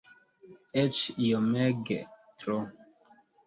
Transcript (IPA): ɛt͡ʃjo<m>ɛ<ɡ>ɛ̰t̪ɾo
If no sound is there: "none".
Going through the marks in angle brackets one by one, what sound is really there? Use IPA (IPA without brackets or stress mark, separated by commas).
m, ɡ